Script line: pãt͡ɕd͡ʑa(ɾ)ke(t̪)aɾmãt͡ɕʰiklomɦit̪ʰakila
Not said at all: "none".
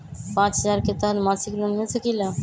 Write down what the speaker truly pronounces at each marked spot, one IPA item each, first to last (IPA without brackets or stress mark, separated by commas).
ɾ, t̪